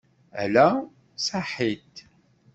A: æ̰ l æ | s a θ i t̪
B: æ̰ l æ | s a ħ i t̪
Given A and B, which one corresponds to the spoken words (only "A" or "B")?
B